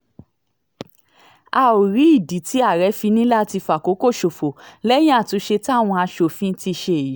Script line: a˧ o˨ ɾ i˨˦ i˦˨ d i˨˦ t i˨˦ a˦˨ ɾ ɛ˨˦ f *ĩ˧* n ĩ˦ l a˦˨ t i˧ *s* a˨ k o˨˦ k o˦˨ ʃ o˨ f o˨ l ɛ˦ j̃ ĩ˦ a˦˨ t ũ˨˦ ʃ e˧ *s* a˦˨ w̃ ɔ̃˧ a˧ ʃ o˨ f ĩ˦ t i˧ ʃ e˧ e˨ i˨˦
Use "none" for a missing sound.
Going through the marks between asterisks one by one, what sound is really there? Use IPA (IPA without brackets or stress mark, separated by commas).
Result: i˧, f, t